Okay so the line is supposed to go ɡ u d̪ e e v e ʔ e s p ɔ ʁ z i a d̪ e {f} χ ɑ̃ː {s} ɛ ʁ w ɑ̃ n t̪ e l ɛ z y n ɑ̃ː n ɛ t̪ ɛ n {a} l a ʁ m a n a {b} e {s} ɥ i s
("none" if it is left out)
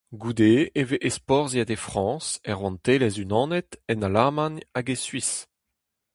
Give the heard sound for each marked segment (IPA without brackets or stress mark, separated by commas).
f, s, a, ɡ, s